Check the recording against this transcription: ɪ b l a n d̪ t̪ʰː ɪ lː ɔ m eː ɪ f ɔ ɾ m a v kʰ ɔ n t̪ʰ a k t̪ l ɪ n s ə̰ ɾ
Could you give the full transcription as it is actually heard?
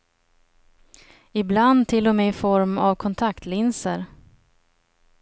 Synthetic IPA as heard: ɪ b l a n d̪ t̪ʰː ɪ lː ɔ m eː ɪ f ɔ ɾ m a v kʰ ɔ n t̪ʰ a k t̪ l ɪ n s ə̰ ɾ